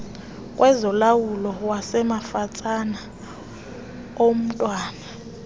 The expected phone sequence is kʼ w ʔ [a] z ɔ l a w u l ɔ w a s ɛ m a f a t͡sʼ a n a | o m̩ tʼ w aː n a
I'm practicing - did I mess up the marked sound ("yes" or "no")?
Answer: yes